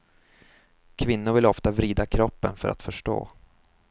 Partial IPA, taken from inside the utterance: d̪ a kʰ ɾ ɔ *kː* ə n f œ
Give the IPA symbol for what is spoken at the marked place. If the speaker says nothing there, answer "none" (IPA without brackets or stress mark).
pː